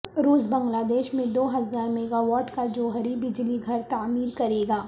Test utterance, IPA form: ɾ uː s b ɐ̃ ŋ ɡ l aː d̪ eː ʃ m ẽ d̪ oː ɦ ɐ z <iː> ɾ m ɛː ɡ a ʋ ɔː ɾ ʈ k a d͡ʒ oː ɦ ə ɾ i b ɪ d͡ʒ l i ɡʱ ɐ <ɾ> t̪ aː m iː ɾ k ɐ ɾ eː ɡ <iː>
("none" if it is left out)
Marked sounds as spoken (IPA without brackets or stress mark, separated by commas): aː, ɾ, aː